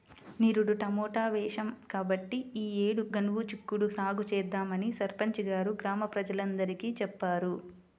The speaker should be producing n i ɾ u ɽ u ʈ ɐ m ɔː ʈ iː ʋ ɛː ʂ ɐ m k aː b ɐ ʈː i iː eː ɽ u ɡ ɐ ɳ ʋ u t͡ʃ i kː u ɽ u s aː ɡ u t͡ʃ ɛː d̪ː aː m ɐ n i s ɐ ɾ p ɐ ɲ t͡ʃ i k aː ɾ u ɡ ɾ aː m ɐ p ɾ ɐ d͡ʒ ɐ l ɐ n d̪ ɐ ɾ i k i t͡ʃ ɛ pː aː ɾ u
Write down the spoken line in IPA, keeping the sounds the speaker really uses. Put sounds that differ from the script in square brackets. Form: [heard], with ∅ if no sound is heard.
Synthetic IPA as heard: n i ɾ u ɽ u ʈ ɐ m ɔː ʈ [aː] ʋ ɛː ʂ ɐ m k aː b ɐ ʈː i iː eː ɽ u ɡ ɐ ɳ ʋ u t͡ʃ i kː u ɽ u s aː ɡ u t͡ʃ ɛː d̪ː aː m ɐ n i s ɐ ɾ p ɐ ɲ t͡ʃ i [ɡ] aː ɾ u ɡ ɾ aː m ɐ p ɾ ɐ d͡ʒ ɐ l ɐ n d̪ ɐ ɾ i k i t͡ʃ ɛ pː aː ɾ u